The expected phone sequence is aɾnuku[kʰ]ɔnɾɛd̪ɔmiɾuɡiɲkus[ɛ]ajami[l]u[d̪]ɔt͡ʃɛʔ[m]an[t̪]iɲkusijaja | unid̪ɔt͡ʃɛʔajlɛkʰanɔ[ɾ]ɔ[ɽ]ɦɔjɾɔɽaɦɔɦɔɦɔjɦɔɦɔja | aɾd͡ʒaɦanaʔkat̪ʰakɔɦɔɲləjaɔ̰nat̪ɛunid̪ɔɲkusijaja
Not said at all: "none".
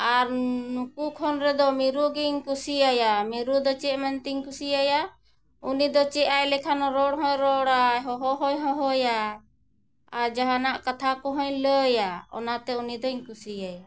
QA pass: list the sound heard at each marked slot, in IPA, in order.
kʰ, i, ɾ, d̪, m, t̪, ɾ, ɽ

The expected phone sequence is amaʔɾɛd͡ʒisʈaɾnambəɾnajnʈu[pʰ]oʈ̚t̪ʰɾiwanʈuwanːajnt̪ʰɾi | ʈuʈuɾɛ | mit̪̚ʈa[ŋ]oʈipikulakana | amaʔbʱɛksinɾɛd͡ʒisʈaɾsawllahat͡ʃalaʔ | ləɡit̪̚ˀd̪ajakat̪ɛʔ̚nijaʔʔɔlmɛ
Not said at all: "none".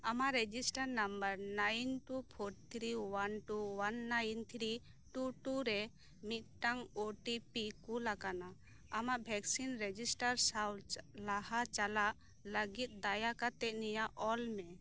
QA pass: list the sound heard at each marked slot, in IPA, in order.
pʰ, ŋ

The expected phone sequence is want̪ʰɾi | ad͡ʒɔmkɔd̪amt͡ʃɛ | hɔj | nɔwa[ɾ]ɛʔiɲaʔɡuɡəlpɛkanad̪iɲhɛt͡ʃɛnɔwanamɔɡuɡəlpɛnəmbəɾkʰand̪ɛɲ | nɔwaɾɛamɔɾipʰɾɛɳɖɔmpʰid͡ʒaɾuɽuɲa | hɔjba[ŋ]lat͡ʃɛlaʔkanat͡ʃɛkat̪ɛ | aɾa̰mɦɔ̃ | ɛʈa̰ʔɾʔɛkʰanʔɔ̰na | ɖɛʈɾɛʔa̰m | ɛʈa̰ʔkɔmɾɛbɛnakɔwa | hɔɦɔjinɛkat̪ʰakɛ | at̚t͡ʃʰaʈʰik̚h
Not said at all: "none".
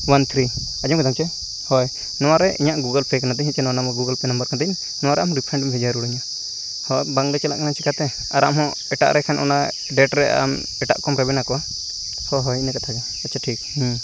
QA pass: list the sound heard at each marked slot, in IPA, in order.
ɾ, ŋ

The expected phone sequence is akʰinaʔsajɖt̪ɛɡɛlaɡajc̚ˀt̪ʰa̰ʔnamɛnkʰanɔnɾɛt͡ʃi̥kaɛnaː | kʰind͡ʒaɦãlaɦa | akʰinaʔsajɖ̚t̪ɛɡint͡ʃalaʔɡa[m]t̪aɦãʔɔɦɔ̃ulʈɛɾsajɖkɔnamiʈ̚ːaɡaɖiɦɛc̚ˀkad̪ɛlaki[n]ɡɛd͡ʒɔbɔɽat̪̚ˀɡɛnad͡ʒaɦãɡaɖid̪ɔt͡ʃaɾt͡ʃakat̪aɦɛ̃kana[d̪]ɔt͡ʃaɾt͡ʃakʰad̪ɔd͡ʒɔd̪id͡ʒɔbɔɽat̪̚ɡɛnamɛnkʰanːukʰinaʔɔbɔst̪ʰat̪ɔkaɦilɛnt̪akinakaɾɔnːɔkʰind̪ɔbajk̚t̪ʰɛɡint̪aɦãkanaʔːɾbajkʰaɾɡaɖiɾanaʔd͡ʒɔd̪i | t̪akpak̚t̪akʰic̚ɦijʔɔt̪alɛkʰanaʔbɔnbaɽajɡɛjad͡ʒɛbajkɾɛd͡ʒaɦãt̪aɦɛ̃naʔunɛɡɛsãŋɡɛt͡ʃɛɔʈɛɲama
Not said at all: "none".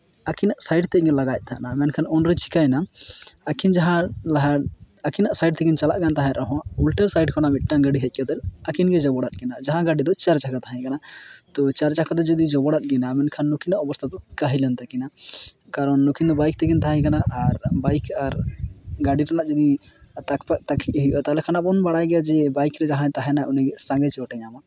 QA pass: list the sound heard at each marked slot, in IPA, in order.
n, n, t̪

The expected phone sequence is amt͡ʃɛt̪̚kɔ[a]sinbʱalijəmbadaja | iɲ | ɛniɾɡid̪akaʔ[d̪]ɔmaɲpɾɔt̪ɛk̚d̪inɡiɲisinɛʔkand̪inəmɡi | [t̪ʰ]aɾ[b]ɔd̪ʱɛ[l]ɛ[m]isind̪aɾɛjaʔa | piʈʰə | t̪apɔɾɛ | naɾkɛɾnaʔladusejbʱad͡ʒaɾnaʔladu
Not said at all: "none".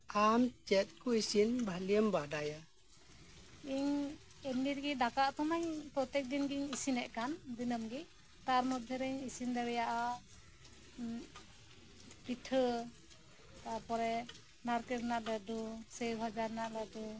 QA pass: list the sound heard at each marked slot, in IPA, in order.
i, t̪, t̪, m, ɾ, ɲ

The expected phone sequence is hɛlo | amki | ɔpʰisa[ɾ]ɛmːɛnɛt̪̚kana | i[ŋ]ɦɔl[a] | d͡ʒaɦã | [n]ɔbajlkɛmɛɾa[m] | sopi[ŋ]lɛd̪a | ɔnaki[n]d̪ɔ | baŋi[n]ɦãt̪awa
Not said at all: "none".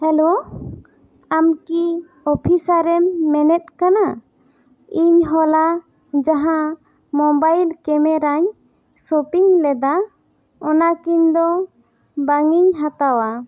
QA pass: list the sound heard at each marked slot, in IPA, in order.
ɾ, ɲ, a, m, ɲ, ŋ, ɲ, ɲ

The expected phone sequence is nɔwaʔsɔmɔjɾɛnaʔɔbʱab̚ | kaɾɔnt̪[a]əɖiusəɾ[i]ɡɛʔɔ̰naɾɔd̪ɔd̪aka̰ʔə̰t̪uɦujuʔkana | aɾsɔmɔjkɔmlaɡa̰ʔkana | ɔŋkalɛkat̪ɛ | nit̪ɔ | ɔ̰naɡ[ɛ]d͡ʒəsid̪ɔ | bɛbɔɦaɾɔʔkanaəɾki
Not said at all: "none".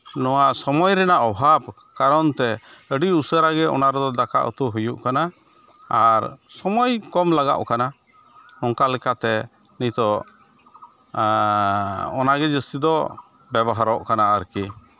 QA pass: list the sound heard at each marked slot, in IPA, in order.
ɛ, a, ɛ

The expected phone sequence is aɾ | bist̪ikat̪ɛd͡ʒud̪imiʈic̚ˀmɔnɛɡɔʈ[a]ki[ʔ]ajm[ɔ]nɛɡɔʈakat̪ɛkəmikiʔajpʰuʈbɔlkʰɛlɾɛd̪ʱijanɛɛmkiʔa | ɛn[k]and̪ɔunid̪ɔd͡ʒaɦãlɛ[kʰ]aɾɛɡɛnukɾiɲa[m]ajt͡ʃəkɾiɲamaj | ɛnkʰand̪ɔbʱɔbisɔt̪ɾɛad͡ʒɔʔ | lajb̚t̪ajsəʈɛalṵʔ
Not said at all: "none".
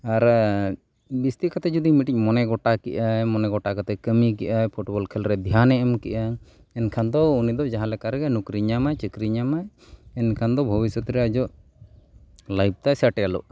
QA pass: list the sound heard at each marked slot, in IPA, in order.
a, ʔ, ɔ, kʰ, k, m

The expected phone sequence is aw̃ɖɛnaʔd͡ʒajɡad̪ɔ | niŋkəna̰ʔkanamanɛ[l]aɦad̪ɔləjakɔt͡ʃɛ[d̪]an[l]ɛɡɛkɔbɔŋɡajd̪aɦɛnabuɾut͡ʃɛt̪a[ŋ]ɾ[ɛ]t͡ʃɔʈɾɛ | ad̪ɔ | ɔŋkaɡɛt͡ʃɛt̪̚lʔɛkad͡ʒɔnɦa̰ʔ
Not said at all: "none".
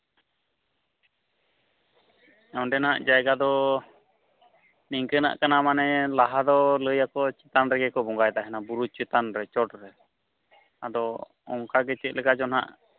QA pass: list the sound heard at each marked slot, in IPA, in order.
l, t̪, ɾ, n, ɛ

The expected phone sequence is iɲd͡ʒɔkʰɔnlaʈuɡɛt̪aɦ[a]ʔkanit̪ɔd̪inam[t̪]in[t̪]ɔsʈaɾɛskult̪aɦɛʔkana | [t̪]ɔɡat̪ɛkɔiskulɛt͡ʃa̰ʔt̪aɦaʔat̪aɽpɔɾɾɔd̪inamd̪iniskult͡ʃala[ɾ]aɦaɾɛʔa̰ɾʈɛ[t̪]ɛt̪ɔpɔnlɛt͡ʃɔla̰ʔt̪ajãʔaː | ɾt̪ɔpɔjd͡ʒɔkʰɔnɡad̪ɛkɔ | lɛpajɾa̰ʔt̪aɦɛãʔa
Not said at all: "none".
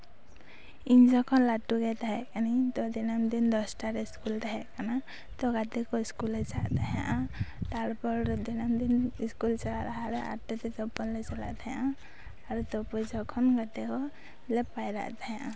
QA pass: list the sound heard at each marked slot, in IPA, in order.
ɛ, d̪, d̪, t̪, ɾ, t̪

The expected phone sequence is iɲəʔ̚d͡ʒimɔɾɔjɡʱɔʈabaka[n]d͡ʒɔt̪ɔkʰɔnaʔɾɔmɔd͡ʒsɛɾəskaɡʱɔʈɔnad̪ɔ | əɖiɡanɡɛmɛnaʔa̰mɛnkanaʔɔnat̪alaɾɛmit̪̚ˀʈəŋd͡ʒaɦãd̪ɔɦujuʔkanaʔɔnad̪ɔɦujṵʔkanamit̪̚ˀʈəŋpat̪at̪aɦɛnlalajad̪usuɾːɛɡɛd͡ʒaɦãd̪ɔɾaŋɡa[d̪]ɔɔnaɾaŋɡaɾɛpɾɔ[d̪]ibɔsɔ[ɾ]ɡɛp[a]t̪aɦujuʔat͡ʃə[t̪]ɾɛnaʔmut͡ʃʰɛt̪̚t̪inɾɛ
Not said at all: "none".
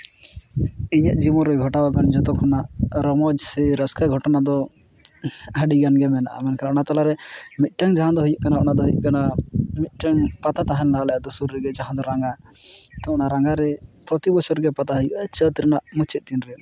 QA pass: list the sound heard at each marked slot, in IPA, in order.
n, t̪, t̪, ɾ, a, t̪

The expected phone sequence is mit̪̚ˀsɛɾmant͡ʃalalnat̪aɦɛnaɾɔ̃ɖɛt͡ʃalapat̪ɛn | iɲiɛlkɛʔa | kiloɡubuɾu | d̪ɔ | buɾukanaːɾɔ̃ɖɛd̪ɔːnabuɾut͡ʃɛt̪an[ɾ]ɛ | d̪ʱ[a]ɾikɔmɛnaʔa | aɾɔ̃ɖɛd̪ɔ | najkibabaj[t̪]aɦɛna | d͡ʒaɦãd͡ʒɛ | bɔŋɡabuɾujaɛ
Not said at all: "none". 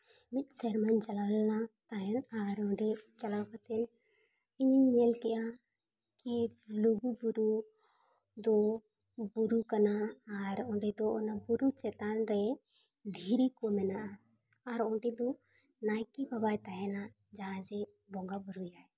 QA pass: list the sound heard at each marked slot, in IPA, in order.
ɾ, i, t̪

